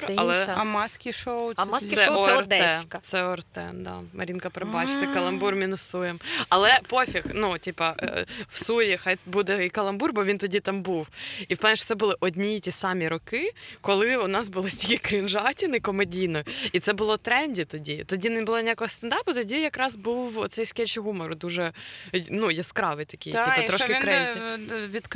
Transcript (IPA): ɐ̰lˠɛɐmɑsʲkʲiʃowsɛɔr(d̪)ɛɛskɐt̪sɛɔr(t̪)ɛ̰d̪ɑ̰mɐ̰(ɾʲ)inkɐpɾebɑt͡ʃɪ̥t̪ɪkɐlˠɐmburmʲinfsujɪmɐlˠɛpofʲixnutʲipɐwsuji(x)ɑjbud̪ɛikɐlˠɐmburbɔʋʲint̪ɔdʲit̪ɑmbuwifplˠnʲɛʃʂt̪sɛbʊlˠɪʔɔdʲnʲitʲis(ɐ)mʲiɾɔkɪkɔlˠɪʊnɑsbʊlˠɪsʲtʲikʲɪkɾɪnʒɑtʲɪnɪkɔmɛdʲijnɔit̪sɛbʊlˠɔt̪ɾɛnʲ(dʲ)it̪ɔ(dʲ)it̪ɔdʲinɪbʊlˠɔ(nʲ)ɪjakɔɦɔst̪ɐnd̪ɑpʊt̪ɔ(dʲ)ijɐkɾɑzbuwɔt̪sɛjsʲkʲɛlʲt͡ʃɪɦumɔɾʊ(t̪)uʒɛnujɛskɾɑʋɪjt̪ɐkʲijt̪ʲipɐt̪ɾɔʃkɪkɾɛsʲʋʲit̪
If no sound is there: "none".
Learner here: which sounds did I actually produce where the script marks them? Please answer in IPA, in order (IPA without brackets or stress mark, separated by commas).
d̪, t̪, ɾʲ, x, ɑ, dʲ, dʲ, nʲ, dʲ, d̪